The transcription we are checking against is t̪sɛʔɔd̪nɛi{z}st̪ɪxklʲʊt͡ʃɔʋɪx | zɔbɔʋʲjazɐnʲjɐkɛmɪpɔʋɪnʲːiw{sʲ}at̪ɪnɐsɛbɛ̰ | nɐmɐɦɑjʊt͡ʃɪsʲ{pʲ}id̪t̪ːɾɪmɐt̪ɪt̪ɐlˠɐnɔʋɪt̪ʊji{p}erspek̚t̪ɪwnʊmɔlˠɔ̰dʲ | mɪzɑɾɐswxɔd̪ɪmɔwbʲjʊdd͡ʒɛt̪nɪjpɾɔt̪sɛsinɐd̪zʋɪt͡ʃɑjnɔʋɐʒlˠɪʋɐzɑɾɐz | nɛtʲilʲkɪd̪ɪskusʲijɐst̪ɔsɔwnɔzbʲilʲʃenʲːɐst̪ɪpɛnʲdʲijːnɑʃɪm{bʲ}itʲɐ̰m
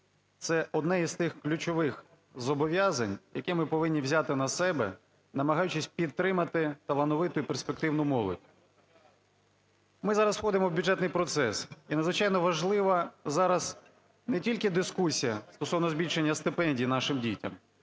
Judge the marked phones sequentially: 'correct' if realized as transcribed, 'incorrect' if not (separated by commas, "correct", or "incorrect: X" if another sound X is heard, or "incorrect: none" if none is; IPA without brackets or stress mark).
correct, incorrect: zʲ, correct, correct, incorrect: dʲ